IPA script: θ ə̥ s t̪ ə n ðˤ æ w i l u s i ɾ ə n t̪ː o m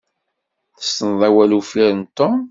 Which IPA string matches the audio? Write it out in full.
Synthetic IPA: θ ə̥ s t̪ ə n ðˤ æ w æ l u f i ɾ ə n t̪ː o m

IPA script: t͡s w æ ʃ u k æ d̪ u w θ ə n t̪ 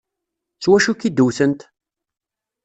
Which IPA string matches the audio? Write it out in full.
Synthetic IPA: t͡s w æ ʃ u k i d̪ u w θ ə n t̪

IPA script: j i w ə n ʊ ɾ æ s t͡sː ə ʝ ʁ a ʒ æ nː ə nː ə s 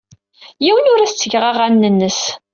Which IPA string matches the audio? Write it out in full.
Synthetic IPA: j i w ə n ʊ ɾ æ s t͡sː ə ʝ ʁ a ʁ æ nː ə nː ə s

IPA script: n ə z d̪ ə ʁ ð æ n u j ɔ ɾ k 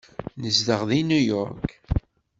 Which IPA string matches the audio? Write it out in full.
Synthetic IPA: n ə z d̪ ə ʁ ð i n u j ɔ ɾ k

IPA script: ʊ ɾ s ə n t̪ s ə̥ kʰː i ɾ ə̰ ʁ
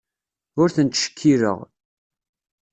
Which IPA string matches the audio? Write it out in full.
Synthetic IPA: ʊ ɾ θ ə n t̪ ʃ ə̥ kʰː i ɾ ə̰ ʁ

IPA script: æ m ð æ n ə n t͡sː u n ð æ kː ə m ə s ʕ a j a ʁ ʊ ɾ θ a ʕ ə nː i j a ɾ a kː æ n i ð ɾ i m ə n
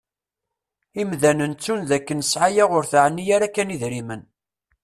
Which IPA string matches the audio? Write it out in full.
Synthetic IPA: i m ð æ n ə n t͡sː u n ð æ kː ə n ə s ʕ a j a ʁ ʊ ɾ θ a ʕ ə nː i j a ɾ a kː æ n i ð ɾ i m ə n

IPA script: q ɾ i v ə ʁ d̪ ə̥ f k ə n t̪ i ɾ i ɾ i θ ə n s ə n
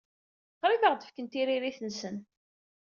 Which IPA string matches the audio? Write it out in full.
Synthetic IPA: q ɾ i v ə ʁ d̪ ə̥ f k ə n t̪ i ɾ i ɾ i θ ə n s ə n

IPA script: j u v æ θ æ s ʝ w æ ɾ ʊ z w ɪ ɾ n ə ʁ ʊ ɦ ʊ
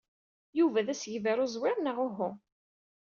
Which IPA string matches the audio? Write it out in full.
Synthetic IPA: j u v æ ð æ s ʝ v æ ɾ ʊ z w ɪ ɾ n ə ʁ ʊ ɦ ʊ

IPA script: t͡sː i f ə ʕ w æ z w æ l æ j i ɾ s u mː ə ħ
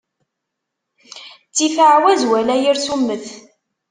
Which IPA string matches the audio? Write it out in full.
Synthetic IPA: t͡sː i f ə ʕ w æ z w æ l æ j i ɾ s u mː ə θ

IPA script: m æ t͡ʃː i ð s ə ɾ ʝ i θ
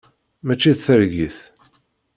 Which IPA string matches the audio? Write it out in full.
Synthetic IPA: m æ t͡ʃː i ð θ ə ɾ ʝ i θ

